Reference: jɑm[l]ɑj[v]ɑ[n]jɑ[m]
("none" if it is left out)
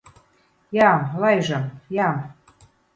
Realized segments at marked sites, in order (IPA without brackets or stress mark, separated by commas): l, ʒ, m, m